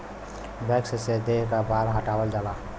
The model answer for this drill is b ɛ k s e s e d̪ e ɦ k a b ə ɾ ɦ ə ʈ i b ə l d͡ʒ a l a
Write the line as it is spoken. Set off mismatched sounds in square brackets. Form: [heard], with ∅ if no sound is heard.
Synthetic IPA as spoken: b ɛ k s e s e d̪ e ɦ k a b [a] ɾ ɦ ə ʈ [a] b ə l d͡ʒ a l a